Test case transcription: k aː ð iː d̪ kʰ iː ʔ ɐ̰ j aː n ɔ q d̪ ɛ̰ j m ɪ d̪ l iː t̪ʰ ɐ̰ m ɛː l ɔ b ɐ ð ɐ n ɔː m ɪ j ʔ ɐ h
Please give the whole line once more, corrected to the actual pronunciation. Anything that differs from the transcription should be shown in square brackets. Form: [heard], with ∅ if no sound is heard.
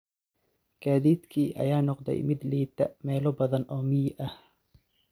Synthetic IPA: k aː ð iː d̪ kʰ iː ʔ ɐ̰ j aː n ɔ q d̪ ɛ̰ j m ɪ d̪ l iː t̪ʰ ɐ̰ m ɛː l ɔ b ɐ ð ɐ n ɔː m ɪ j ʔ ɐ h

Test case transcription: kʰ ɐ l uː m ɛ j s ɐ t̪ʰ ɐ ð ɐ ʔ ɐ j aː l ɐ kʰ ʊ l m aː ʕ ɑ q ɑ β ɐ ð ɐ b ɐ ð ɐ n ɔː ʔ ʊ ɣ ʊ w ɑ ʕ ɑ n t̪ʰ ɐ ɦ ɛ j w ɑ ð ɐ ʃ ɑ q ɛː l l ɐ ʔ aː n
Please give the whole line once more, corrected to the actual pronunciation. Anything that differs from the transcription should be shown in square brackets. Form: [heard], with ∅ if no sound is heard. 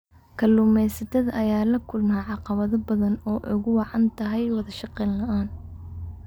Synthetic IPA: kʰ ɐ l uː m ɛ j s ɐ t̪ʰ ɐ ð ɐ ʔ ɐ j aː l ɐ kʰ ʊ l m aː ʕ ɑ q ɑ β ɐ ð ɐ b ɐ ð ɐ n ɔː ʔ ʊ ɣ ʊ w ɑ ʕ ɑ n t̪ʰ ɐ ɦ ɛ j w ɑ ð ɐ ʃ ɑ q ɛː l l ɐ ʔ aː n

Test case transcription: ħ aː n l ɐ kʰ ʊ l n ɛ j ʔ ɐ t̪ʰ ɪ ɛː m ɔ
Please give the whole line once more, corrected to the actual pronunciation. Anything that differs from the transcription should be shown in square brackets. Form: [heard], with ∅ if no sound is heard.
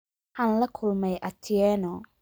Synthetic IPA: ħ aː n l ɐ kʰ ʊ l [m] ɛ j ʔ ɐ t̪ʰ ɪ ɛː [n] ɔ

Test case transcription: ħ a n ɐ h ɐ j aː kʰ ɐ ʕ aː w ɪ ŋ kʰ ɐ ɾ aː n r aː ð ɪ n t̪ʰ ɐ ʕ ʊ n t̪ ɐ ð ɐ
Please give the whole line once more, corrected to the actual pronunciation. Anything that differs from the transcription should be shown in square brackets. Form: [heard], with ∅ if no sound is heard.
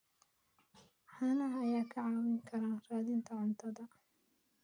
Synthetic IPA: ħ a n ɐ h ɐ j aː kʰ ɐ ʕ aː w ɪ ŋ kʰ ɐ ɾ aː n r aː ð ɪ n t̪ʰ ɐ ʕ ʊ n [t̪ʰ] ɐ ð ɐ

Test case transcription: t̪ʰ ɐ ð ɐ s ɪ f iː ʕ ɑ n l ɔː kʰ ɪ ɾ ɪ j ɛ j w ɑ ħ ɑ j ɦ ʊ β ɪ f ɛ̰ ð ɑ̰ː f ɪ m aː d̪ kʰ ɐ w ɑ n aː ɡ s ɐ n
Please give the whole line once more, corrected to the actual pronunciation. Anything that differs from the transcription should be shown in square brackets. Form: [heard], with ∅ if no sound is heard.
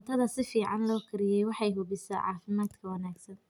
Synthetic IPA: t̪ʰ ɐ ð ɐ s ɪ f iː ʕ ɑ n l ɔː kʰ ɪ ɾ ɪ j ɛ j w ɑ ħ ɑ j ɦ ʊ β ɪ [s] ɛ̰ [ʕ] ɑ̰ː f ɪ m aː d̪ kʰ ɐ w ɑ n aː ɡ s ɐ n

